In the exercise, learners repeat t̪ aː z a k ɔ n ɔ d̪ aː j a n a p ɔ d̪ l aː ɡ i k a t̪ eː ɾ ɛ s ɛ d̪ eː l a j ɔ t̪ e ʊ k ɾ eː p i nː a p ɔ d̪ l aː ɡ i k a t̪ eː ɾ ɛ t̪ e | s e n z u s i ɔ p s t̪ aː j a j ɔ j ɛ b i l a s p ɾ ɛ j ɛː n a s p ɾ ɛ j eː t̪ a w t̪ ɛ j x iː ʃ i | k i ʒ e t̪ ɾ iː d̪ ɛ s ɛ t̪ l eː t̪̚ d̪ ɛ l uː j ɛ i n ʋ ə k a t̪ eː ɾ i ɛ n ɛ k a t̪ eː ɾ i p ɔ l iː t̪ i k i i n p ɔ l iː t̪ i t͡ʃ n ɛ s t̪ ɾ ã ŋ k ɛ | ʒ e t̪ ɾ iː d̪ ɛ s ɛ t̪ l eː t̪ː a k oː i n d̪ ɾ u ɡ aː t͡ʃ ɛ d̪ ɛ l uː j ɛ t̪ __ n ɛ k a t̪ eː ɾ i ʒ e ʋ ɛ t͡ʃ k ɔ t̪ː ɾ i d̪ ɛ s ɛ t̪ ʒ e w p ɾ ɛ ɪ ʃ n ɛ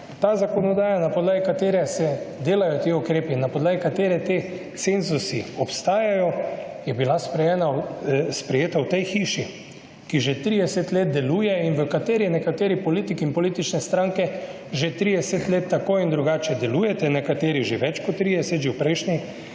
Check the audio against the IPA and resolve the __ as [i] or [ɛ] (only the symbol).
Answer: ɛ